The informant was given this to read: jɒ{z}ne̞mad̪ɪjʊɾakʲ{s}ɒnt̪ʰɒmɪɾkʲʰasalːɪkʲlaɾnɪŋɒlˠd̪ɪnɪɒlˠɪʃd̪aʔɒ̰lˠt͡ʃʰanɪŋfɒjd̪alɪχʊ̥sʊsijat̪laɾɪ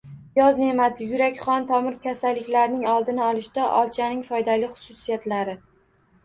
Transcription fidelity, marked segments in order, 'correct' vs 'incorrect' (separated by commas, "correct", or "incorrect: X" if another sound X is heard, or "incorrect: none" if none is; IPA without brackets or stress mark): correct, incorrect: χ